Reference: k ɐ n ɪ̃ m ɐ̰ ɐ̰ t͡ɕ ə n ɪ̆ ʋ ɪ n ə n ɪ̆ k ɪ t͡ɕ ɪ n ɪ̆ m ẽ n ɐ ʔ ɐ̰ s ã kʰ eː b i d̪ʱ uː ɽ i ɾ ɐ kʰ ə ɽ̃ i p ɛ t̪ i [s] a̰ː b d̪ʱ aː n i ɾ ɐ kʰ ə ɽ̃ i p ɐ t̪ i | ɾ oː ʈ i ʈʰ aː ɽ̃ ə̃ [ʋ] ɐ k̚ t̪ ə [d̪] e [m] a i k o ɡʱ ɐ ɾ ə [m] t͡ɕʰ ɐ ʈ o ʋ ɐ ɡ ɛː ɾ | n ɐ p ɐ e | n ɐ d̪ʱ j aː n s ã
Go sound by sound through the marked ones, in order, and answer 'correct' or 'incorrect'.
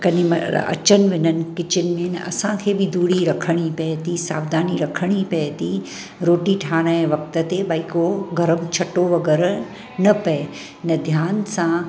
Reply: correct, correct, incorrect, incorrect, correct

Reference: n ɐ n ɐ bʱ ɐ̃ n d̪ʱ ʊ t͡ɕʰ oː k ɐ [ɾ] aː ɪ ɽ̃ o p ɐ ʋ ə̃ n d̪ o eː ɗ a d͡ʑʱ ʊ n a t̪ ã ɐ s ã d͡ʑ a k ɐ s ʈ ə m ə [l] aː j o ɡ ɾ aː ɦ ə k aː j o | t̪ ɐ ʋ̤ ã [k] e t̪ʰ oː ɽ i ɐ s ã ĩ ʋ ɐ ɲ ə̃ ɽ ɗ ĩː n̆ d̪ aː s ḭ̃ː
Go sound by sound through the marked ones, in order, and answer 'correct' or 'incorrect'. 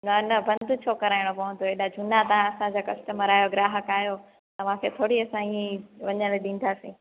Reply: correct, incorrect, incorrect

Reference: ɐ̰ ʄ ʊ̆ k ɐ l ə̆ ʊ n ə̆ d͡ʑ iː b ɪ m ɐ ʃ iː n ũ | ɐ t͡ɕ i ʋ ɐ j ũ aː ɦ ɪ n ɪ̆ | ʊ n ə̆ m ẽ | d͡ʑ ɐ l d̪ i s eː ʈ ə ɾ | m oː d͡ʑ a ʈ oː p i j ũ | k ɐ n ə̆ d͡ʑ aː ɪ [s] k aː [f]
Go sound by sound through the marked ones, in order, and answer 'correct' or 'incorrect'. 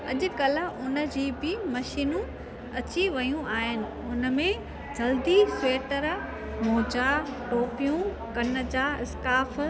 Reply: correct, correct

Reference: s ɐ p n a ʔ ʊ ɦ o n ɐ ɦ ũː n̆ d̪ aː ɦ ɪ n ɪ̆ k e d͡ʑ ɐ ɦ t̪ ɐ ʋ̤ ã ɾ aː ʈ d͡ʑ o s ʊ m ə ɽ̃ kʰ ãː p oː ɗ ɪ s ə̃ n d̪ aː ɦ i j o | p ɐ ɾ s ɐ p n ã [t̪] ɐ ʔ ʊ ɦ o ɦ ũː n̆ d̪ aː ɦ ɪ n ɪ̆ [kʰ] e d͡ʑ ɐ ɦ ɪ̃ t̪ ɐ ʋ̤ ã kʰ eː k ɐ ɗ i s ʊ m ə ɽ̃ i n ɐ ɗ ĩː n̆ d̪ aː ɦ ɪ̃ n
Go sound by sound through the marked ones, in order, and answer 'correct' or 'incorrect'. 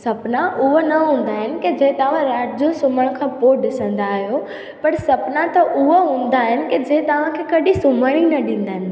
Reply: correct, incorrect

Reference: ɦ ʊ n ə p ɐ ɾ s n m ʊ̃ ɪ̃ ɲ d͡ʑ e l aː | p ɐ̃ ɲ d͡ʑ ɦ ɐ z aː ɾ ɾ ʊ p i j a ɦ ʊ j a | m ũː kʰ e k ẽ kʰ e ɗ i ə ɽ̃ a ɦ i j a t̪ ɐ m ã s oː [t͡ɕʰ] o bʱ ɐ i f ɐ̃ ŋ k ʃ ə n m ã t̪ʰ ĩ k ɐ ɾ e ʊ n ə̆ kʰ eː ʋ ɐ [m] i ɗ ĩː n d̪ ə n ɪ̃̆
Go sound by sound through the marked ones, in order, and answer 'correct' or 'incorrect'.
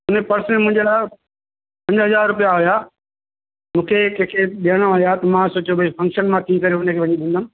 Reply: incorrect, incorrect

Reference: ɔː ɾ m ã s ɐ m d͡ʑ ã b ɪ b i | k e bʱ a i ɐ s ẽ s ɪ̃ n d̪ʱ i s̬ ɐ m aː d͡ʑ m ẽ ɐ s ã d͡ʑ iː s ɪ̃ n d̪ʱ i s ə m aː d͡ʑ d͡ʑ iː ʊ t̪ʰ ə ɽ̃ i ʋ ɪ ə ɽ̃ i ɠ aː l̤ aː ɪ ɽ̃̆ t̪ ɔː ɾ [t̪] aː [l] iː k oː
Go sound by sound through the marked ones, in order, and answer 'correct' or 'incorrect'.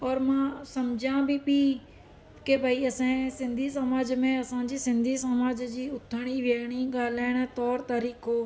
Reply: correct, incorrect

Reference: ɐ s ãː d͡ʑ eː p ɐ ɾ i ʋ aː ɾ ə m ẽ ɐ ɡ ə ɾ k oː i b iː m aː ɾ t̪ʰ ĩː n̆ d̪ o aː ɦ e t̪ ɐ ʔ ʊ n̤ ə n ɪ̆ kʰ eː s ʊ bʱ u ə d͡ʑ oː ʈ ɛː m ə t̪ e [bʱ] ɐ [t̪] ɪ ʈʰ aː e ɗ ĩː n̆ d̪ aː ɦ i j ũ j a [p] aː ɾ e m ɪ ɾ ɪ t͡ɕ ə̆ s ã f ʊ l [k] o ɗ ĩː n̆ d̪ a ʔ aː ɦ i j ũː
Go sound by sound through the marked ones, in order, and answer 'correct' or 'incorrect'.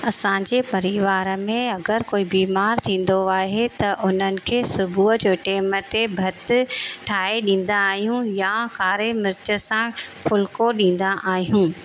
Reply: correct, correct, incorrect, correct

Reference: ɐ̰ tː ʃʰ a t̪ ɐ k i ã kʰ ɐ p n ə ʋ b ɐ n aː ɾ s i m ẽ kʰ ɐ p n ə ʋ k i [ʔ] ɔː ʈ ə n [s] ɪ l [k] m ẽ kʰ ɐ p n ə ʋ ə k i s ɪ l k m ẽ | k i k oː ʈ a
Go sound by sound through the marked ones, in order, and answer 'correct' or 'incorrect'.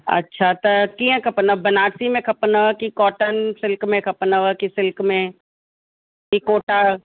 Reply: incorrect, correct, correct

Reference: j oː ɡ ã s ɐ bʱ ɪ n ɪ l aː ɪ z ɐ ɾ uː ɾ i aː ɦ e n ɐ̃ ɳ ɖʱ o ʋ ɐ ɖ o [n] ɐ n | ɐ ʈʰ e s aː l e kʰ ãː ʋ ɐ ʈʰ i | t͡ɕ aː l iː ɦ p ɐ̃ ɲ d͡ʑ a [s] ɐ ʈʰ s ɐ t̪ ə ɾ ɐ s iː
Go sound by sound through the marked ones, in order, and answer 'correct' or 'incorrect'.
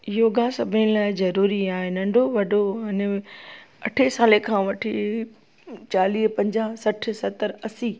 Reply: incorrect, correct

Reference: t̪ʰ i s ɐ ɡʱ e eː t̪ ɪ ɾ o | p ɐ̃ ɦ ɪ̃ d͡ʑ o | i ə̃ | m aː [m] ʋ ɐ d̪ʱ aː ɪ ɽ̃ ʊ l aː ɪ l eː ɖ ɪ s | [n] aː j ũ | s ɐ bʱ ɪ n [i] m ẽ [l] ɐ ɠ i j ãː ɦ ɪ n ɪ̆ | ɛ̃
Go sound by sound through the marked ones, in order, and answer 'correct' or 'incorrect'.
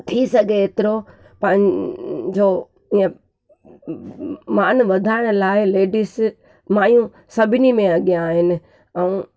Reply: incorrect, incorrect, correct, incorrect

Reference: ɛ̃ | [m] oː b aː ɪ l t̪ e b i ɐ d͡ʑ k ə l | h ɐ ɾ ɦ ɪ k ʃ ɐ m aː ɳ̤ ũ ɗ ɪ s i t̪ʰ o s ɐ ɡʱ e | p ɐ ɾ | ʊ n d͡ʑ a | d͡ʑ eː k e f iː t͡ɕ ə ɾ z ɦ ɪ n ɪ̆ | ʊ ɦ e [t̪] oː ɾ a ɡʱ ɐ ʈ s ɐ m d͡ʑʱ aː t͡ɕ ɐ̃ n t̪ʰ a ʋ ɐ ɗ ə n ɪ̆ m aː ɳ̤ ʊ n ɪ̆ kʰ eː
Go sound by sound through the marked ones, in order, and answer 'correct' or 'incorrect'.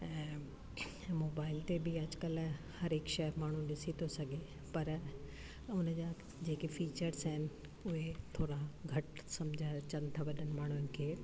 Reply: correct, incorrect

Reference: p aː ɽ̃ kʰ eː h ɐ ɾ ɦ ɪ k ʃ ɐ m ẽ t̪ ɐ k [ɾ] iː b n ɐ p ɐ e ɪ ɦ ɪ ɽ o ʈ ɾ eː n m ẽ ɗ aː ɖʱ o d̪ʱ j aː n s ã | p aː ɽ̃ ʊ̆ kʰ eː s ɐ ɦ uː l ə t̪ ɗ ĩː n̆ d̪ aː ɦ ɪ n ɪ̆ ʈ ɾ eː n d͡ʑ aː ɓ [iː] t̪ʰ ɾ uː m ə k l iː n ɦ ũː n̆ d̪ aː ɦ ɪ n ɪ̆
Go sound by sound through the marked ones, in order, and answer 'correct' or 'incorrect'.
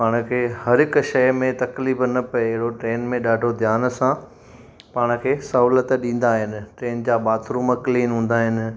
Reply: incorrect, incorrect

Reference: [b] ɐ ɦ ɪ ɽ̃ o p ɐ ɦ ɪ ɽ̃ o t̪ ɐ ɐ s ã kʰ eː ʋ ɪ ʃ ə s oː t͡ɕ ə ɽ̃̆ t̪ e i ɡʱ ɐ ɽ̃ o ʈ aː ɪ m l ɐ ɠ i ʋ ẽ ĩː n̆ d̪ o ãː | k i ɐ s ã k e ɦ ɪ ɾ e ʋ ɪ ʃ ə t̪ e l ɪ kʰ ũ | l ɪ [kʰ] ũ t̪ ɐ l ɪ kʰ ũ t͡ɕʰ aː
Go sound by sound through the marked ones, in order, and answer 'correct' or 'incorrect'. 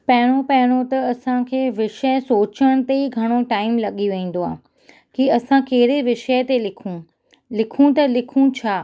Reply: incorrect, correct

